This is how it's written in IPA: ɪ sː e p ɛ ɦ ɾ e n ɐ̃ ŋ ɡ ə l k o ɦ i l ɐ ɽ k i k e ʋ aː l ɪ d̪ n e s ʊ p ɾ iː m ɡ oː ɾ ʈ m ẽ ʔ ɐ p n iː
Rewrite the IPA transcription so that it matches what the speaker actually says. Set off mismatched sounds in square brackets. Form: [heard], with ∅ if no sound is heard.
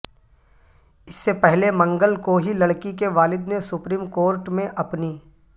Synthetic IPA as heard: ɪ sː e p ɛ ɦ [l] e [m] ɐ̃ ŋ ɡ ə l k o ɦ i l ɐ ɽ k i k e ʋ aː l ɪ d̪ n e s ʊ p ɾ iː m [k] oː ɾ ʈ m ẽ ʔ ɐ p n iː